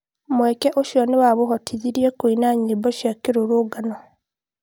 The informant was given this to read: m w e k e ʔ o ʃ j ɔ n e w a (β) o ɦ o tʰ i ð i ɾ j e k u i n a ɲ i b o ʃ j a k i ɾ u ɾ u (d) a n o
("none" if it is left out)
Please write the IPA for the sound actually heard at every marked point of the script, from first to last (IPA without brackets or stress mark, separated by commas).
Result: β, ɡ